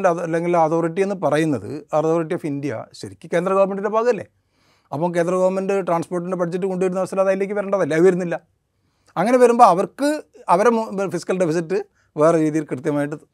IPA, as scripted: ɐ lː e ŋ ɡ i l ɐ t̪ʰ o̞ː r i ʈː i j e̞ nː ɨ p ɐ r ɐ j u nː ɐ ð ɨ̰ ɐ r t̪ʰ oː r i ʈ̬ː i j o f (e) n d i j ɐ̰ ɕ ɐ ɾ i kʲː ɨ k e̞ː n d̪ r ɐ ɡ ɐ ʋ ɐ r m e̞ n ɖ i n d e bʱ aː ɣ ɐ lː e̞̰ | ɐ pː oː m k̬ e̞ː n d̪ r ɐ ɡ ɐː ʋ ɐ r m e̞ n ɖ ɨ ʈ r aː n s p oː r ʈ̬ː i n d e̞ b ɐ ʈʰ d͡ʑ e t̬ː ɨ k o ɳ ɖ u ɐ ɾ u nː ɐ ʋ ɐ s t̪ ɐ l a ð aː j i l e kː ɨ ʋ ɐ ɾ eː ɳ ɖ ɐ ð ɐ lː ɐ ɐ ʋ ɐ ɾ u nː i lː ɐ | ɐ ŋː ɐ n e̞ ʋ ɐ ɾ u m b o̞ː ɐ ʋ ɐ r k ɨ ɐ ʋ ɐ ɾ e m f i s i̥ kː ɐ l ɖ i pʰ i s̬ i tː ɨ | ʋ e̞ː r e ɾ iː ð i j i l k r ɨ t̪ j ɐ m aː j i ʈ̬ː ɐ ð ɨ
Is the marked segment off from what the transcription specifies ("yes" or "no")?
yes